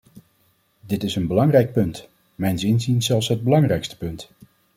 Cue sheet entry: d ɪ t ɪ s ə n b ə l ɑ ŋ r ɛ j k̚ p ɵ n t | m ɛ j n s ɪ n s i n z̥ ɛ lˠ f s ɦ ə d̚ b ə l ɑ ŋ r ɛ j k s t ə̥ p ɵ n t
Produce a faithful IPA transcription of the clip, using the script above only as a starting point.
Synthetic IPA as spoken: d ɪ t ɪ s ə n b ə l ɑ ŋ r ɛ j k̚ p ɵ n t | m ɛ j n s ɪ n z i n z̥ ɛ lˠ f s ɦ ə d̚ b ə l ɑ ŋ r ɛ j k s t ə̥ p ɵ n t